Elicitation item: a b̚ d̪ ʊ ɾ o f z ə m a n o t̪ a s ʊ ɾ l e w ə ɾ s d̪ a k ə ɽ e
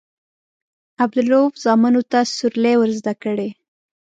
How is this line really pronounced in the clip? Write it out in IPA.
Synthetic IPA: a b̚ d̪ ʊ l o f z ɑ m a n o t̪ a s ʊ ɾ l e w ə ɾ z d̪ a k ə ɽ e

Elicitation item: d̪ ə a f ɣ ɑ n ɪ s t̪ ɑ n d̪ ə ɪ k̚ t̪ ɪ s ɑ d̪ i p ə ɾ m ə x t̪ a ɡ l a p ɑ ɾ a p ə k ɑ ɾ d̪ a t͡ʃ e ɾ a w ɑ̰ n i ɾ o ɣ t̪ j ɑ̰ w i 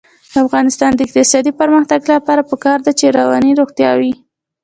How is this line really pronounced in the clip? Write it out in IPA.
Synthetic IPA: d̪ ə a f ɣ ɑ n ɪ s t̪ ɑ n d̪ ə ɪ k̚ t̪ ɪ s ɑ d̪ i p ə ɾ m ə x t̪ a ɡ l a p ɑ ɾ a p ə k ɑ ɾ d̪ a t͡ʃ e ɾ a w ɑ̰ n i ɾ o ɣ t̪ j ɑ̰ w i

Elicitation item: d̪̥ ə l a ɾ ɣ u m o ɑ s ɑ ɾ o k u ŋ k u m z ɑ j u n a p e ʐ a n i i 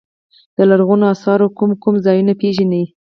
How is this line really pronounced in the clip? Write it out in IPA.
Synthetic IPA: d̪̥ ə l a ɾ ɣ u n o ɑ s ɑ ɾ o k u m k u m z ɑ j u n a p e ʒ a n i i

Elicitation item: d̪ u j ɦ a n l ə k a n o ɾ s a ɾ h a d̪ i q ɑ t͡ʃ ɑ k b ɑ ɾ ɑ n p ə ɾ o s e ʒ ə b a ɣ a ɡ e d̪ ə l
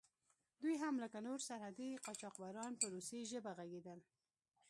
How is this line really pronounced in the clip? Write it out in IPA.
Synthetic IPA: d̪ u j ɦ a m l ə k a n o ɾ s a ɾ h a d̪ i q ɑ t͡ʃ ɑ q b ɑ ɾ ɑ n p ə ɾ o s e ʒ ə b a ɣ a ɡ e d̪ ə l

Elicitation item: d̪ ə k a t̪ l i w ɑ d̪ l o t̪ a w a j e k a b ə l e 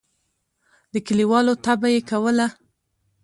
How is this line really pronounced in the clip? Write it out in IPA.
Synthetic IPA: d̪ ə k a l i w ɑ l o t̪ a b a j e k a w ə l a

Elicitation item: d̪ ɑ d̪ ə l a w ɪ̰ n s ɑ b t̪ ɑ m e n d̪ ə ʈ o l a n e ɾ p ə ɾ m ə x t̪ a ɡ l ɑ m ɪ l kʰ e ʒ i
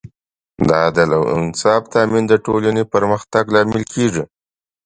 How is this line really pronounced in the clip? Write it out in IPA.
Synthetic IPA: d̪ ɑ d̪ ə l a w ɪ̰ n s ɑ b t̪ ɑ m i n d̪ ə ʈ o l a n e p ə ɾ m ə x t̪ a ɡ l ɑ m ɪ l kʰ e ʐ i

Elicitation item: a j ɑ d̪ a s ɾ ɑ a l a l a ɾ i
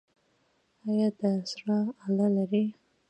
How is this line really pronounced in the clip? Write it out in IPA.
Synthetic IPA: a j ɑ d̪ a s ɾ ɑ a l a l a ɾ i

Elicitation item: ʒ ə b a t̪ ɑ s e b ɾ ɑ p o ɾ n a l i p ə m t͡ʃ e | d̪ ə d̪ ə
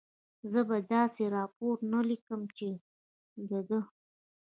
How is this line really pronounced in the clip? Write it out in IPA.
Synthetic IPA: z ə b a d̪ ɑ s e ɾ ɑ p o ɾ n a l i k ə m t͡ʃ e | d̪ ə d̪ ə

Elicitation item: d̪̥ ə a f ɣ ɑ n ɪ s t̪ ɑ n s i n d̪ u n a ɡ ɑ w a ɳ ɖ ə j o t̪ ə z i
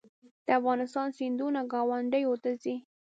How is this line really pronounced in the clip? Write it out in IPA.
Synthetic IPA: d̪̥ ə a f ɣ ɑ n ɪ s t̪ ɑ n s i n d̪ u n a ɡ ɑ w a ɳ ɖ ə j o t̪ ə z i

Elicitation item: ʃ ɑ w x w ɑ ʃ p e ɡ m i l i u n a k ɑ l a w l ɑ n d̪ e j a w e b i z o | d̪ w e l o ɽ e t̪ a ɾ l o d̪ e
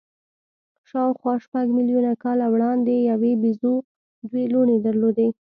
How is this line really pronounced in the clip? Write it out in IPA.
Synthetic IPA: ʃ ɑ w x w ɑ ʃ p a ɡ m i l j u n a k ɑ l a w ɽ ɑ n d̪ e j a w e b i z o | d̪ w e l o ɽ e d̪ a ɾ l o d̪ e

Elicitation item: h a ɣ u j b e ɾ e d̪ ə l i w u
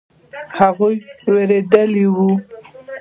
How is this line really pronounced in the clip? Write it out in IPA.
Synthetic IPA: h a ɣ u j w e ɾ e d̪ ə l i w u

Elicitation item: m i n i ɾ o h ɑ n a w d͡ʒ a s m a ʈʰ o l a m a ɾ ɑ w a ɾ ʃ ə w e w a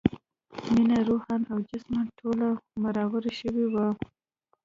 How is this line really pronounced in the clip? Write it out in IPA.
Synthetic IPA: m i n a ɾ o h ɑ n a w d͡ʒ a s m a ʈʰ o l a m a ɾ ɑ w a ɾ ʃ ə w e w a

